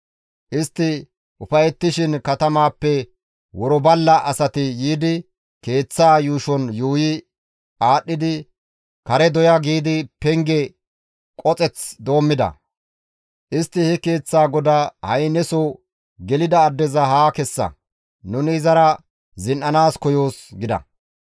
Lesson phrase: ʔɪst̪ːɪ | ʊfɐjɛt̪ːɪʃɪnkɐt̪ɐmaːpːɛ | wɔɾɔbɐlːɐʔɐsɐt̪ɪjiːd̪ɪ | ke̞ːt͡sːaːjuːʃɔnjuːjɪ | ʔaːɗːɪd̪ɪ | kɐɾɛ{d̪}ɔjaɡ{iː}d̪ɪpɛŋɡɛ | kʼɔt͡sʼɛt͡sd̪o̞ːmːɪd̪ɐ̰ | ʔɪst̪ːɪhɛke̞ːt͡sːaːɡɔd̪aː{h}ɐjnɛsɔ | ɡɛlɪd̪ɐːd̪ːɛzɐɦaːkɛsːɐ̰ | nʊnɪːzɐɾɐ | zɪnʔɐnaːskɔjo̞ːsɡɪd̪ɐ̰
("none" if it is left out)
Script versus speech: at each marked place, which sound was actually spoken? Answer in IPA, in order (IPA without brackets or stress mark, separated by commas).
d̪, iː, h